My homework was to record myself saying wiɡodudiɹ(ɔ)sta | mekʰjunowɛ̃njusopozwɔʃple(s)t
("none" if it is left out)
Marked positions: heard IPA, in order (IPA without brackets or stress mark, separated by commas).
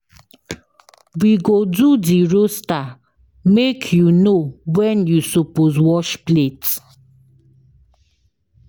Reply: o, none